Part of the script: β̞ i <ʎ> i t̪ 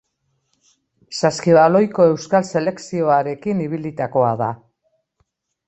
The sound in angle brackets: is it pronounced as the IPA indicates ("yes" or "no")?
no